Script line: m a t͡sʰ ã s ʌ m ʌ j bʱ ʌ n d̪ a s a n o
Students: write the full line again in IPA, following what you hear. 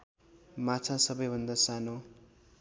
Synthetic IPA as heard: m a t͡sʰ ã s ʌ b ʌ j bʱ ʌ n d̪ a s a n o